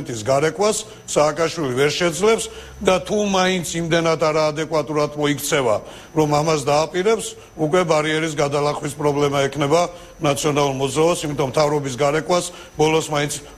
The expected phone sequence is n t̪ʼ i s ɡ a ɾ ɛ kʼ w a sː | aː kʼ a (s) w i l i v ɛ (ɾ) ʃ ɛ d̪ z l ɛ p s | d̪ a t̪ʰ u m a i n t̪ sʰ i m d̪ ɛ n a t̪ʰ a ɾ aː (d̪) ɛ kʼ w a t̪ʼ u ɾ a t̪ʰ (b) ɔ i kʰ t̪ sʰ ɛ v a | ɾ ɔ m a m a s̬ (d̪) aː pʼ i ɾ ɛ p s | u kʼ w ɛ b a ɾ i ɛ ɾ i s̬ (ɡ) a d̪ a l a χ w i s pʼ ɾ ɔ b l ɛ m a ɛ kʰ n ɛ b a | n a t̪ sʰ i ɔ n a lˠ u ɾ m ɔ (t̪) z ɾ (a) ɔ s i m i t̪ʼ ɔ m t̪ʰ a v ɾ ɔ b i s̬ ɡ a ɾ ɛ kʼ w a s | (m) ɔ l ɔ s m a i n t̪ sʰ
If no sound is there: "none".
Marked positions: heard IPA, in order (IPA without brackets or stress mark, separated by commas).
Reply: ʃ, ɾ, d̪, m, d̪, ɡ, d̪, a, b